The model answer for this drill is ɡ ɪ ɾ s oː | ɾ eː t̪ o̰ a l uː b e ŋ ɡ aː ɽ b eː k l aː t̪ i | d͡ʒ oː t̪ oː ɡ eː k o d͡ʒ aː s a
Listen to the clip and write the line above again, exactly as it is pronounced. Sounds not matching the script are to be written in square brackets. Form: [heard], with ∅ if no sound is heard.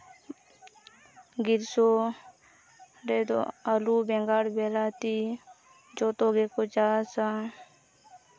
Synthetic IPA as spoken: ɡ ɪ ɾ s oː | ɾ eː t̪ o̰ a l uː b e ŋ ɡ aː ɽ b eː [∅] l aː t̪ i | d͡ʒ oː t̪ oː ɡ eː k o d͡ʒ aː s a